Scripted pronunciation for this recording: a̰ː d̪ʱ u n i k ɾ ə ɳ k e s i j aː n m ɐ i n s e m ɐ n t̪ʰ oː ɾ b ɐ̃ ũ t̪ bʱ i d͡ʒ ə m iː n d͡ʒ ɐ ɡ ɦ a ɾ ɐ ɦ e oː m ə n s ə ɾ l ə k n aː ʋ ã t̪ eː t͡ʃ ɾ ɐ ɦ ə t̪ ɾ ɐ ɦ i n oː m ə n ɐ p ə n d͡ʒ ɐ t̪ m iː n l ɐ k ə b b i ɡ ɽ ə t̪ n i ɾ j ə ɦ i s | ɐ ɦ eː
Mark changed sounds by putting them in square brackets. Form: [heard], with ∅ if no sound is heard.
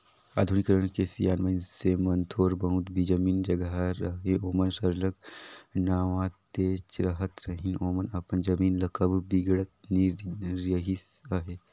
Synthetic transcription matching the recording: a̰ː d̪ʱ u n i k ɾ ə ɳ k e s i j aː n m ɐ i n s e m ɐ n t̪ʰ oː ɾ b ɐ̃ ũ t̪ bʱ i d͡ʒ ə m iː n d͡ʒ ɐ ɡ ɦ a ɾ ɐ ɦ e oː m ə n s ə ɾ l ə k n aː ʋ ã t̪ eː t͡ʃ ɾ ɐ ɦ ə t̪ ɾ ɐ ɦ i n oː m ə n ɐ p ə n d͡ʒ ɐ [∅] m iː n l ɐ k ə b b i ɡ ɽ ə t̪ n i ɾ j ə ɦ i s | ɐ ɦ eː